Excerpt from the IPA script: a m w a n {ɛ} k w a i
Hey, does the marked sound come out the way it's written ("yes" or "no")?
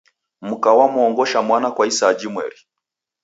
no